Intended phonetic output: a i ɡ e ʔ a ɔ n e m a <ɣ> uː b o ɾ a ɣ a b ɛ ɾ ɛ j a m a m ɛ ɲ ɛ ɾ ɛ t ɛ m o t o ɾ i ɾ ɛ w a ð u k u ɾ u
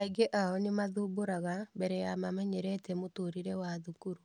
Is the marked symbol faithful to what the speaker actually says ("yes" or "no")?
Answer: no